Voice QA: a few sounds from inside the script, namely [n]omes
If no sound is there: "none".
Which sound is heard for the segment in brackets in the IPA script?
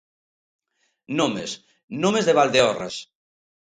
n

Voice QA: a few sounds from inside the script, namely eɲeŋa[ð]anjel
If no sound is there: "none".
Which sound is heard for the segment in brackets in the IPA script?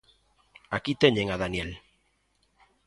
ð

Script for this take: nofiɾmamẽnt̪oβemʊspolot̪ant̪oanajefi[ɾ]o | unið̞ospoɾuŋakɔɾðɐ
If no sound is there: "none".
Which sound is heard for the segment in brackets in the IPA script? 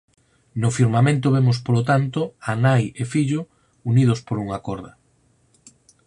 ʎ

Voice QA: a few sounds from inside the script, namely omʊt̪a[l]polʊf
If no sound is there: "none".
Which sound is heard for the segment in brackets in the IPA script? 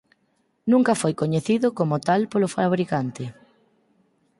l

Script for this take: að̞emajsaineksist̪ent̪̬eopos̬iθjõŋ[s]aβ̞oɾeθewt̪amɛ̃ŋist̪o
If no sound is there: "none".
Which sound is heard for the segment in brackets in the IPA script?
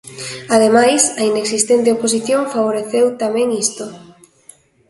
f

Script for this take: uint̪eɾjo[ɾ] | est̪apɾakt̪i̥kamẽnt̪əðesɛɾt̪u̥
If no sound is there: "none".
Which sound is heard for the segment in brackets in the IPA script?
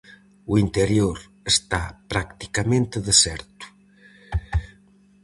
ɾ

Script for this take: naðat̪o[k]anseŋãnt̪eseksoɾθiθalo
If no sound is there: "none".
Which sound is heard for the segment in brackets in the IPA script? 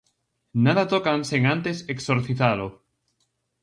k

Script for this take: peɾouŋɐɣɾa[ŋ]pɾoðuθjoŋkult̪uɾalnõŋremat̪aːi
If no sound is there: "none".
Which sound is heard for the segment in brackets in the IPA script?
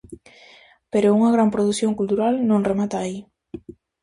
m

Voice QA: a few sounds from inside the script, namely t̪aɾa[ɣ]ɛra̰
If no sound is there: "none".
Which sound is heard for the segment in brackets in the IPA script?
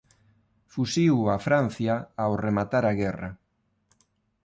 ɣ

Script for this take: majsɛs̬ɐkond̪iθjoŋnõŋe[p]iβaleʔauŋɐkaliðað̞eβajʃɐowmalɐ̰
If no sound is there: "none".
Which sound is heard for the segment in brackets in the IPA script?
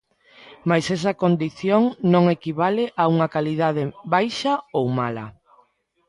k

